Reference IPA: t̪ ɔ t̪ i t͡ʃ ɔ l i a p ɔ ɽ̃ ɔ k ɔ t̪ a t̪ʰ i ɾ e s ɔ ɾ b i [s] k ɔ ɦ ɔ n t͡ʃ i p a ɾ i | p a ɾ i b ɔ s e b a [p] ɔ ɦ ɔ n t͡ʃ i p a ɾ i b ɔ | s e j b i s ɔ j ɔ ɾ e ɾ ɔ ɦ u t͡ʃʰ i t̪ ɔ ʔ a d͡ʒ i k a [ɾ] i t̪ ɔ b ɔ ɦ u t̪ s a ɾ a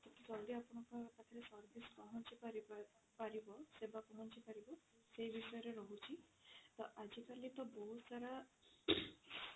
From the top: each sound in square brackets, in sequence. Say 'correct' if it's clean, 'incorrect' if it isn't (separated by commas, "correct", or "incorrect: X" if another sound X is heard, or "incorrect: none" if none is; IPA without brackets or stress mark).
correct, incorrect: k, incorrect: l